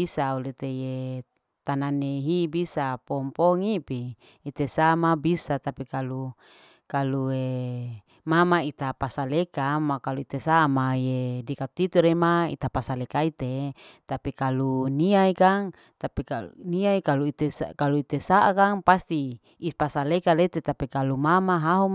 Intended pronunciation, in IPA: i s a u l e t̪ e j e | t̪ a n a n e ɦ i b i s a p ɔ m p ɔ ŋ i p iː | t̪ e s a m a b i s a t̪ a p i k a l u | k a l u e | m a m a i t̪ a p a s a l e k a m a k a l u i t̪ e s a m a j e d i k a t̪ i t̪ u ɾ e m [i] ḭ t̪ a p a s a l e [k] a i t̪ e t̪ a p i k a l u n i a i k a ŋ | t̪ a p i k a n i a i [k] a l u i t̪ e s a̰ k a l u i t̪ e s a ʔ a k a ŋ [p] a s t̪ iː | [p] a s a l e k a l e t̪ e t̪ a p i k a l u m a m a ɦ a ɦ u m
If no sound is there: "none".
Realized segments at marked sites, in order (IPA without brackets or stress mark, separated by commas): a, k, k, p, p